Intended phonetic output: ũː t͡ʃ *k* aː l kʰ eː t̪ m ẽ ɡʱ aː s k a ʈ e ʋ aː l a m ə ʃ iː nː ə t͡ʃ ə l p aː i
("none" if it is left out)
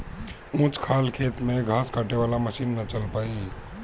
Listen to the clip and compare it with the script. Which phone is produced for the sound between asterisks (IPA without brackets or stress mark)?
kʰ